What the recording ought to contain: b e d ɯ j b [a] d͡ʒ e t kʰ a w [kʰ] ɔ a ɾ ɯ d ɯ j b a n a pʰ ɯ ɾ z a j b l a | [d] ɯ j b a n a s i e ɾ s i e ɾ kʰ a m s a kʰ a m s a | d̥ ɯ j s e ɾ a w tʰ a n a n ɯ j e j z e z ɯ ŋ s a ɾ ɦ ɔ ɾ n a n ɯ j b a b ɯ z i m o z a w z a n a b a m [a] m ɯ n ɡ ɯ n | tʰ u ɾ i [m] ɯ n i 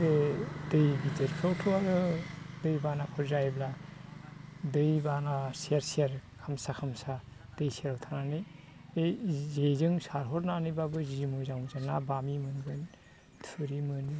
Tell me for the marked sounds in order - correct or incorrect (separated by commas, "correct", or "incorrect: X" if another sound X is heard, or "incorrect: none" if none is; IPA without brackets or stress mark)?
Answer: incorrect: i, incorrect: tʰ, correct, incorrect: i, correct